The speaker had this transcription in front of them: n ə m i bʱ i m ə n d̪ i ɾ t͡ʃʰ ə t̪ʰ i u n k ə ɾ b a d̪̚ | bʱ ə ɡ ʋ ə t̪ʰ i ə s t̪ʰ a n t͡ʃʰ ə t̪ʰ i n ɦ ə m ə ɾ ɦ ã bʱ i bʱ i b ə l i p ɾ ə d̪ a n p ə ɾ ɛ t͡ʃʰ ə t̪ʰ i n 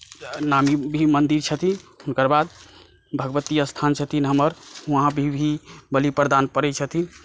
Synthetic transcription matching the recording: n a m i bʱ i m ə n d̪ i ɾ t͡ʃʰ ə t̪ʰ i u n k ə ɾ b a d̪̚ | bʱ ə ɡ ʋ ə t̪ i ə s t̪ʰ a n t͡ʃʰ ə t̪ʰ i n ɦ ə m ə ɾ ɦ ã bʱ i bʱ i b ə l i p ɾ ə d̪ a n p ə ɾ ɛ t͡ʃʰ ə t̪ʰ i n